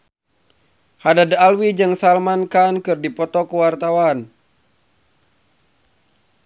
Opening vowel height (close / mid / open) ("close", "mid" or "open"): open